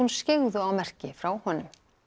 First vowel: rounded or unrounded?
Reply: rounded